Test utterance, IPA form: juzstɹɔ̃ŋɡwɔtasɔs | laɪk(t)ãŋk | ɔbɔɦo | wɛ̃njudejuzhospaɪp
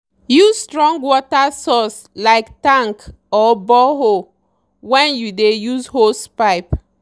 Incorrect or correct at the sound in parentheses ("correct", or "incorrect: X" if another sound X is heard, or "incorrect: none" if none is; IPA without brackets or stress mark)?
correct